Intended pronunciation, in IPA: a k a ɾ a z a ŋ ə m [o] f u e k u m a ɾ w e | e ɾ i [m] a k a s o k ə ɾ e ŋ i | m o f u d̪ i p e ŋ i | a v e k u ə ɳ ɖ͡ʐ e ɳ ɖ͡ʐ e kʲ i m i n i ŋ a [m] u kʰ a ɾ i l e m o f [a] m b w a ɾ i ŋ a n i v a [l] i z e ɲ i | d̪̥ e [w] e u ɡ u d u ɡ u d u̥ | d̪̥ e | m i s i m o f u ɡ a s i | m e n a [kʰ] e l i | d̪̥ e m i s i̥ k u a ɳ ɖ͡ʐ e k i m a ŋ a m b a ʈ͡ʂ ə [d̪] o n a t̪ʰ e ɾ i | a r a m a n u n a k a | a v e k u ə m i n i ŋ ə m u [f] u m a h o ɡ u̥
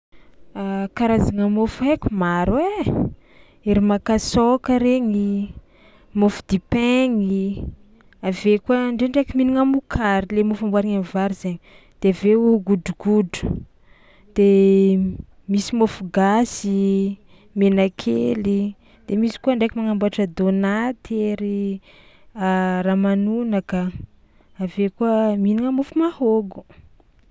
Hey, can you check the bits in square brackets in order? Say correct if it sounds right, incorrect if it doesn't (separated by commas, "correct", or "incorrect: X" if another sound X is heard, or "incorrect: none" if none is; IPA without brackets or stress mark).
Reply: correct, correct, correct, correct, incorrect: ɾ, incorrect: v, correct, correct, correct